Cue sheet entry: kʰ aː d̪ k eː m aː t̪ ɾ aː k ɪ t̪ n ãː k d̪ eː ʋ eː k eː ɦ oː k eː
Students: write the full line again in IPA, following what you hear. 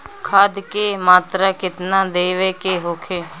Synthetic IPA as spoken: kʰ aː d̪ k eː m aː t̪ ɾ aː k ɪ t̪ n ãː d̪ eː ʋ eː k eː ɦ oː kʰ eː